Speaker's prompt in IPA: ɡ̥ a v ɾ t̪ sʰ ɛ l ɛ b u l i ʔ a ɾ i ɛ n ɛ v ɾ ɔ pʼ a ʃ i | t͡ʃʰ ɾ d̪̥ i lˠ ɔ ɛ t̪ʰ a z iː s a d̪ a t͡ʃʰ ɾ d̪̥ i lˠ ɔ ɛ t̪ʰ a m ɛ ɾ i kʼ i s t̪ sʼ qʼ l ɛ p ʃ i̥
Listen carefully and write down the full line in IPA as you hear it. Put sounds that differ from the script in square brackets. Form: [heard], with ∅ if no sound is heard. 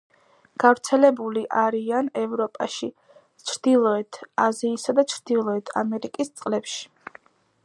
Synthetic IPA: ɡ̥ a v ɾ t̪ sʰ ɛ l ɛ b u l i ʔ a ɾ i [a] n ɛ v ɾ ɔ pʼ a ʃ i | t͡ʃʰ ɾ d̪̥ i lˠ ɔ ɛ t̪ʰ a z iː s a d̪ a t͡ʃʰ ɾ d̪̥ i lˠ ɔ ɛ t̪ʰ a m ɛ ɾ i kʼ i s t̪ sʼ qʼ l ɛ p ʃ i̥